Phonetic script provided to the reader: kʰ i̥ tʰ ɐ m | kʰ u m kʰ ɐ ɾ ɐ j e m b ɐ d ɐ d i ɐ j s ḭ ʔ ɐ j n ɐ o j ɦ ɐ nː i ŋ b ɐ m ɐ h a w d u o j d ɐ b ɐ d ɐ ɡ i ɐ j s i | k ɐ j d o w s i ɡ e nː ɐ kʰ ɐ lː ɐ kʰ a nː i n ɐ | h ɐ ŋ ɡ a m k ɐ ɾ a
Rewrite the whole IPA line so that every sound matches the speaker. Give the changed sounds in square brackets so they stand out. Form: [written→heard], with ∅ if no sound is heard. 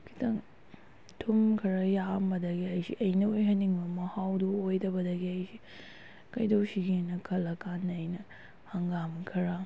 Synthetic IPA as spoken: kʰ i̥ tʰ ɐ [m→ŋ] | [kʰ→tʰ] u m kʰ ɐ ɾ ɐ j [e→a] m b ɐ d ɐ [d→ɡ] i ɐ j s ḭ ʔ ɐ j n ɐ o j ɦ ɐ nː i ŋ b ɐ m ɐ h a w d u o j d ɐ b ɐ d ɐ ɡ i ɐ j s i | k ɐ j d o w s i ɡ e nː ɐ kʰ ɐ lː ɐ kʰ a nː [i→j] n ɐ | h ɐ ŋ ɡ a m [k→kʰ] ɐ ɾ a